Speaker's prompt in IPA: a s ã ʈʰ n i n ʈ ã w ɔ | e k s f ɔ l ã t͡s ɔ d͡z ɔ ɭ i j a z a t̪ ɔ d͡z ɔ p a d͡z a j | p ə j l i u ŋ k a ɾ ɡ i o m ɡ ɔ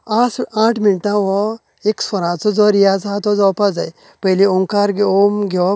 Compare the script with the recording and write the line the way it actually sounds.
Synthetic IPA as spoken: a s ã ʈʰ m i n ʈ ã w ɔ | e k s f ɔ ɾ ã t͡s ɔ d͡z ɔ ɾ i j a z a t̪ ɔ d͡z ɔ p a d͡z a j | p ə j l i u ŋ k a ɾ ɡ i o m ɡ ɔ